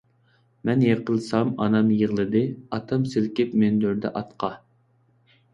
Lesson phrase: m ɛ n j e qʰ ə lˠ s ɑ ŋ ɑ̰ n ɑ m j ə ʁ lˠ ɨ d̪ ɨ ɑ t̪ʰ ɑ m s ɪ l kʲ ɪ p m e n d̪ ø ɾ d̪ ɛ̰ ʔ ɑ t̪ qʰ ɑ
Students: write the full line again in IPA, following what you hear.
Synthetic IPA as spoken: m ɛ n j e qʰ ə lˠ s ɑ m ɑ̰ n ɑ m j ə ʁ lˠ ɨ d̪ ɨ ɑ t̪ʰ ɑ m s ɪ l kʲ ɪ p m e n d̪ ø ɾ d̪ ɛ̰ ʔ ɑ t̪ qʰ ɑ